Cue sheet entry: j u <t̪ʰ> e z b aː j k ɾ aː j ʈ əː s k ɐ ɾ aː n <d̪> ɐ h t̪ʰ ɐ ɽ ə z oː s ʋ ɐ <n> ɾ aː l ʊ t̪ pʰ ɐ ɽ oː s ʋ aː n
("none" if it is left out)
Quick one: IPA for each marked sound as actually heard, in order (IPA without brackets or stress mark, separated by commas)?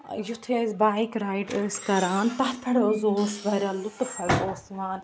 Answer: t̪ʰ, t̪, none